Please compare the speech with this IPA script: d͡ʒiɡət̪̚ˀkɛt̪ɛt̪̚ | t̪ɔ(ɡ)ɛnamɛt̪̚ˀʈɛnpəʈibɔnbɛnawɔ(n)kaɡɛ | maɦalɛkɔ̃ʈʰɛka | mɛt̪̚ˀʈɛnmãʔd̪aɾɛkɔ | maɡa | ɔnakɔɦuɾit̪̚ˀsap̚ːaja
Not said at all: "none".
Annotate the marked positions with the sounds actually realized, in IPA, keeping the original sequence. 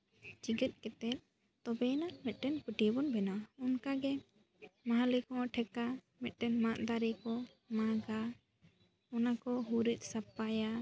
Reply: b, n

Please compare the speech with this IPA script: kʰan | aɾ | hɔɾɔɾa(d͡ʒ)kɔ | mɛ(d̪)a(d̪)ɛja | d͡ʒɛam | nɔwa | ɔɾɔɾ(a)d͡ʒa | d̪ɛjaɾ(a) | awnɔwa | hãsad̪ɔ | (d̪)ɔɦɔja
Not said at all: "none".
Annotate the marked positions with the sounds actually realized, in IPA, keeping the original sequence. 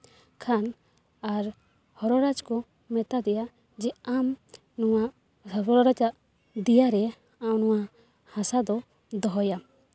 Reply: d͡ʒ, t̪, d̪, a, ɛ, d̪

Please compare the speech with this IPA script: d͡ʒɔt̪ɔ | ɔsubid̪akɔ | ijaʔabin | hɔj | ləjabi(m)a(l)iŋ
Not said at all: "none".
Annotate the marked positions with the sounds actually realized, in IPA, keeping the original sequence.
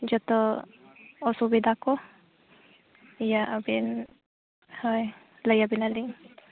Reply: n, l

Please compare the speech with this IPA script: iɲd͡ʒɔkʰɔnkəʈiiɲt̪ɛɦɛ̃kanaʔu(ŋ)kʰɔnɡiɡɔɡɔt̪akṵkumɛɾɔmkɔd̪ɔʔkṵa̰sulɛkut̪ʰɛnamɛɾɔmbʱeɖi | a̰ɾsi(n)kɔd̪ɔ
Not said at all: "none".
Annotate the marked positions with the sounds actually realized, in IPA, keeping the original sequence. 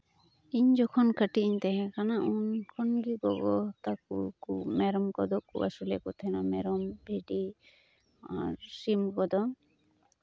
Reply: n, m

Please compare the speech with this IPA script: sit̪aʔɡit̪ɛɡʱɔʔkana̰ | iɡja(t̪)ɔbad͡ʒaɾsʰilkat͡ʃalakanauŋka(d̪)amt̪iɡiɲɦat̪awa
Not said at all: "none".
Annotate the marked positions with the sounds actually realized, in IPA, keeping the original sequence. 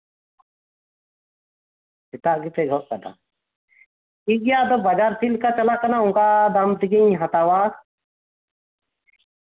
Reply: d̪, d̪

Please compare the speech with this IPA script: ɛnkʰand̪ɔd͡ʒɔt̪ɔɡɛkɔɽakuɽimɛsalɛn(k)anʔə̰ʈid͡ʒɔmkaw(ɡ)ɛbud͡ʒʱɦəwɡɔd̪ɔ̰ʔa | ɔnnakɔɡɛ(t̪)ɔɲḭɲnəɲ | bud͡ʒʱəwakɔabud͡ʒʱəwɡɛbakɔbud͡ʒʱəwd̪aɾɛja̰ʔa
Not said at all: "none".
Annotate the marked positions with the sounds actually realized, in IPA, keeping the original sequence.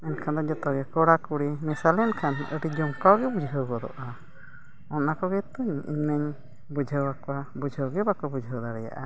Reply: kʰ, ɡ, t̪

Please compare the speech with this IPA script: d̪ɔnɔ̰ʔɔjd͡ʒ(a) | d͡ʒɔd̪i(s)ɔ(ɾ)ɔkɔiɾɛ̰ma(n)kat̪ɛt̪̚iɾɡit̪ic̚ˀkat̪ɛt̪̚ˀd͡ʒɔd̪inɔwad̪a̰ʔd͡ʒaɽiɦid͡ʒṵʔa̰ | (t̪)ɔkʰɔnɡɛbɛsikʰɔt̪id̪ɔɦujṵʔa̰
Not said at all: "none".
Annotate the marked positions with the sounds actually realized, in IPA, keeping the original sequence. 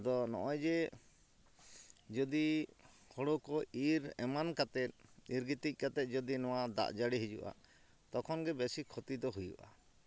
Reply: ɛ, h, ɽ, n, t̪

